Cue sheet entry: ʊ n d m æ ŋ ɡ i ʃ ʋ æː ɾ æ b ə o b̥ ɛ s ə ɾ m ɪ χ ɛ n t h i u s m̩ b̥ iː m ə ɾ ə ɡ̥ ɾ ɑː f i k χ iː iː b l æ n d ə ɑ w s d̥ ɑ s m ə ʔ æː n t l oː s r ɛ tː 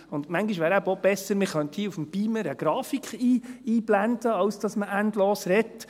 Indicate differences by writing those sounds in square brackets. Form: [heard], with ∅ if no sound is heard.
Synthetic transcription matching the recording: ʊ n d m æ ŋ ɡ i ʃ ʋ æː ɾ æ b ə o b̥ ɛ s ə ɾ m ɪ χ [œ] n t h i u [f] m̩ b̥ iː m ə ɾ ə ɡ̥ ɾ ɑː f i k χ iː iː b l æ n d ə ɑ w s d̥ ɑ s m ə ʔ [æ] n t l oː s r ɛ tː